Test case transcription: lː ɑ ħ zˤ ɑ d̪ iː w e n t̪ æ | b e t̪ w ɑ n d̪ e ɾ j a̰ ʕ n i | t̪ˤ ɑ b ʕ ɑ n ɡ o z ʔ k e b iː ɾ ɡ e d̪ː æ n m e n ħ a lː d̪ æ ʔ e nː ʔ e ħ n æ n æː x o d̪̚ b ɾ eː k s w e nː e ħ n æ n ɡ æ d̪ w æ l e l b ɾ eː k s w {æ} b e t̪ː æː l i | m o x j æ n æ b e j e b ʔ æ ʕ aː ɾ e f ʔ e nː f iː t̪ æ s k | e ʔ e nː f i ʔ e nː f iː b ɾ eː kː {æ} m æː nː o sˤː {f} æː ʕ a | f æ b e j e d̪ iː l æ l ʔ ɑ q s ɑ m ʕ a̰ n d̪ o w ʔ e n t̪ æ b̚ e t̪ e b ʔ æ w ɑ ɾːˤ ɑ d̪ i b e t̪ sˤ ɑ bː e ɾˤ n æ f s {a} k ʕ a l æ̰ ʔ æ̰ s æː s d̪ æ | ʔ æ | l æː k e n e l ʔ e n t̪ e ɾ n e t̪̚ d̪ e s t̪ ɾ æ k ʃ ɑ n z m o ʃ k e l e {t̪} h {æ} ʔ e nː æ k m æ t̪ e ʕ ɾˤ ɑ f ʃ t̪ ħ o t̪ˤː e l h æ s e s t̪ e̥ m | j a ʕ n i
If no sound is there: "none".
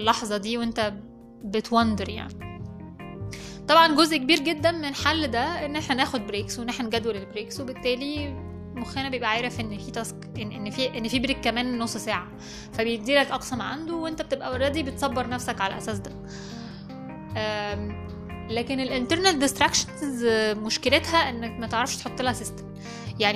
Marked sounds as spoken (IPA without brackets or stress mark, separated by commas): e, æ, s, æ, t̪, æ